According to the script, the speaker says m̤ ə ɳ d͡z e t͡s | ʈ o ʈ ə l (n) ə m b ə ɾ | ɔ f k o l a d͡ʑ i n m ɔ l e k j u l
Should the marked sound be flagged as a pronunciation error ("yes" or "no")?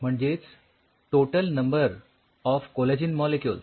no